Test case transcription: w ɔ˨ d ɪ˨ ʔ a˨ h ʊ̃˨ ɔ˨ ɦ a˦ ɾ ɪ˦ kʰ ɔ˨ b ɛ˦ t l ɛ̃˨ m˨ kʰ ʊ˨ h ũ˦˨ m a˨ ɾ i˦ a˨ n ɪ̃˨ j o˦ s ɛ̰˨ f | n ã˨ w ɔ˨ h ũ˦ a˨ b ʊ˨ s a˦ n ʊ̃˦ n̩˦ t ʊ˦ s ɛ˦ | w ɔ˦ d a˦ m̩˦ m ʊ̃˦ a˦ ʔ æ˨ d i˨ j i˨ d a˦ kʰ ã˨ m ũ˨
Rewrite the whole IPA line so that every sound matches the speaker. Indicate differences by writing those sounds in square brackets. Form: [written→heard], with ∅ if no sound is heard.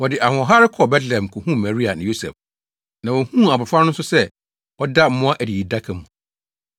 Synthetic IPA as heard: w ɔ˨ d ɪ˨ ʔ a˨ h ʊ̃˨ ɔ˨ ɦ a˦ ɾ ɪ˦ kʰ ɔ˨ b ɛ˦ t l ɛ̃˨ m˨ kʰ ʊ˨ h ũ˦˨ m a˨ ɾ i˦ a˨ n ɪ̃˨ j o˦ s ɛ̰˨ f | n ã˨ w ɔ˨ h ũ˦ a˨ b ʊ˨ [s→f] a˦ n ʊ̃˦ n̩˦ [t→s] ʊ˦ s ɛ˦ | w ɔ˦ d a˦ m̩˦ m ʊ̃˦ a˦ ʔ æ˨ d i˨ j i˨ d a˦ kʰ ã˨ m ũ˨